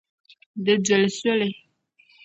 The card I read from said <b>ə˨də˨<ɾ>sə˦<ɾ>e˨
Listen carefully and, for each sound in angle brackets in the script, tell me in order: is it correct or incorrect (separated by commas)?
incorrect, incorrect, incorrect